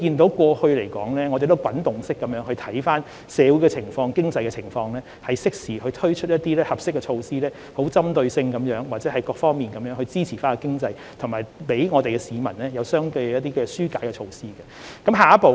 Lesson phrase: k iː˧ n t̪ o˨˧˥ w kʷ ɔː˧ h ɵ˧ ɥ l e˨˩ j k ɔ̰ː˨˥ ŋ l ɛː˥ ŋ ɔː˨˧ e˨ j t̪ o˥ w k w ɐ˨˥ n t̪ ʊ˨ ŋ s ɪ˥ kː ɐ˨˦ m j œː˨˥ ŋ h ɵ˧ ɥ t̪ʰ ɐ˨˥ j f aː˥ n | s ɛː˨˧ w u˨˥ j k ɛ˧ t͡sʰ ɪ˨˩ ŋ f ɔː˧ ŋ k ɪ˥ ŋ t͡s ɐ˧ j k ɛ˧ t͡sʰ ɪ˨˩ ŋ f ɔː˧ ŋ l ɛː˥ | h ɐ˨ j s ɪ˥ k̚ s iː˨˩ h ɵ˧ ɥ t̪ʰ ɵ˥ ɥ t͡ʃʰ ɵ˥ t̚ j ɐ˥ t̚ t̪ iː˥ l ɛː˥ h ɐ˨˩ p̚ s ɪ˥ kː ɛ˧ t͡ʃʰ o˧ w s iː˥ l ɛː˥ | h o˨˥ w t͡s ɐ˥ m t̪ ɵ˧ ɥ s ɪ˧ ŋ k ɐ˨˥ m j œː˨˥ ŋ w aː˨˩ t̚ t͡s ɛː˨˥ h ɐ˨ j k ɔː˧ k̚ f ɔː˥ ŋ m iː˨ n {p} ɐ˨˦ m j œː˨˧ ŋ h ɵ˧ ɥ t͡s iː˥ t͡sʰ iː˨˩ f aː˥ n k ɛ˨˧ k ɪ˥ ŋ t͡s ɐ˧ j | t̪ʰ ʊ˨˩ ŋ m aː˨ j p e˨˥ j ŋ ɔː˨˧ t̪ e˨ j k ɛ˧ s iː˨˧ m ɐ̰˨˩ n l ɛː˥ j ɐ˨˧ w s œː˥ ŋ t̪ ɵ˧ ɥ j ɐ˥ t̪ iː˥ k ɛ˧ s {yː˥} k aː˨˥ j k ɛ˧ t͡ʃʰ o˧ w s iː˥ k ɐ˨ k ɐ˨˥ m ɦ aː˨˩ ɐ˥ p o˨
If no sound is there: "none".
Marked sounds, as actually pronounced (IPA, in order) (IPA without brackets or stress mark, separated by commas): k, yː˥